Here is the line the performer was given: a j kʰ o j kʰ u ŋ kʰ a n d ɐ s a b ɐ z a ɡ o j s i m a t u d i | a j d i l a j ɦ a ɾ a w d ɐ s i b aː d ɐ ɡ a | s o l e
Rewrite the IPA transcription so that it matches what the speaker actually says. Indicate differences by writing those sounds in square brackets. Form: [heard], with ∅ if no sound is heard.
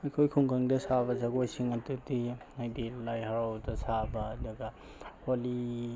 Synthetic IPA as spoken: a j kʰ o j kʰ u ŋ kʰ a [ŋ] d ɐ s a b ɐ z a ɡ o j s i [ŋ] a t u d i | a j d i l a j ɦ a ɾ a w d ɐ s [a] b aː d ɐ ɡ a | [h] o l [i]